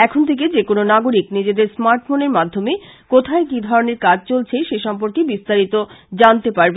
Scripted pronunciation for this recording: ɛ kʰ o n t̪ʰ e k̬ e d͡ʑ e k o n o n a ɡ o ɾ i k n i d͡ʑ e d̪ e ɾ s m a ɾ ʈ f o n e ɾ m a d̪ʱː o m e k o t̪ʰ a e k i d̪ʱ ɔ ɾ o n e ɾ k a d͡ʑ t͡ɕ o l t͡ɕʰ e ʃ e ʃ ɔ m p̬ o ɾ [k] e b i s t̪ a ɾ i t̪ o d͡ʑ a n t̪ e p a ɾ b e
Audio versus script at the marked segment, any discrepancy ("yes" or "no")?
no